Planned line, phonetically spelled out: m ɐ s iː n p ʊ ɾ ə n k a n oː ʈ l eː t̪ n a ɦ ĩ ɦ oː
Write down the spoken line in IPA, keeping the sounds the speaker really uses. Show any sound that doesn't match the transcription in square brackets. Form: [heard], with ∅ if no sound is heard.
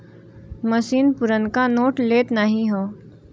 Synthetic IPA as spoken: m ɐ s iː n p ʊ ɾ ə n k a n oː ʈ l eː t̪ n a ɦ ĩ ɦ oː